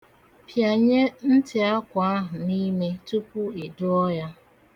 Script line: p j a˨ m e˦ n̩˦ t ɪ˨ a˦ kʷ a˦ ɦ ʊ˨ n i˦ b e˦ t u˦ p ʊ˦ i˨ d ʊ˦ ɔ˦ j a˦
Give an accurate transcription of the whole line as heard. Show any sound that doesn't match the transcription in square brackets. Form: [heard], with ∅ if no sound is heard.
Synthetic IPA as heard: p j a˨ [ɲ] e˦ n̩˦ t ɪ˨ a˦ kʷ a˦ ɦ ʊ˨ n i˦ [m] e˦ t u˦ p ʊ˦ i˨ d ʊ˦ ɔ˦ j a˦